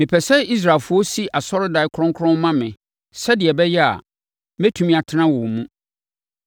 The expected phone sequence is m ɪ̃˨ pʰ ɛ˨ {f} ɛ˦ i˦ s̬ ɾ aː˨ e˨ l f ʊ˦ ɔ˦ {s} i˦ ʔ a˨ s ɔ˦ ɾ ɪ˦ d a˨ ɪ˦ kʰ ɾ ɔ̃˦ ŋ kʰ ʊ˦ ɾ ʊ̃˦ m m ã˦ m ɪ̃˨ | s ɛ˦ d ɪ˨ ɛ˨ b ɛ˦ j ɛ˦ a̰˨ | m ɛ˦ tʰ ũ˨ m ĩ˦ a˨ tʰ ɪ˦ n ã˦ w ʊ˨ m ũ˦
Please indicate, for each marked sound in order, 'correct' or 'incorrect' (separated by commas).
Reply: incorrect, correct